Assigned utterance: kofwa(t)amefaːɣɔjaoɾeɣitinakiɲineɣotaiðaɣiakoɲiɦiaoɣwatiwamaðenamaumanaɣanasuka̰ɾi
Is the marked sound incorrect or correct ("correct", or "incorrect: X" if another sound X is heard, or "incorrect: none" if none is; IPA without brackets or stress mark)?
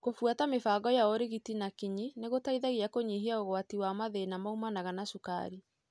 correct